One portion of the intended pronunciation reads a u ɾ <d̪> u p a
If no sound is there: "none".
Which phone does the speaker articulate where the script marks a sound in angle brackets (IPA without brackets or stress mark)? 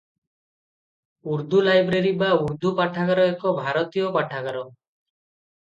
d̪